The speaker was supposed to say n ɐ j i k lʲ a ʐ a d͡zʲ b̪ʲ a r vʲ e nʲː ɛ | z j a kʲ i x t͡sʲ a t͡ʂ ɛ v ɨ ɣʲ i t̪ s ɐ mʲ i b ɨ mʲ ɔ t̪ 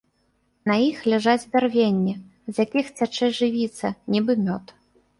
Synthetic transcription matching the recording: n ɐ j i x lʲ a ʐ a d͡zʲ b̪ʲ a r vʲ e nʲː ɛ | z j a kʲ i x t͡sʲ a t͡ʂ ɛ ʐ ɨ vʲ i t̪ s ɐ nʲ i b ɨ mʲ ɔ t̪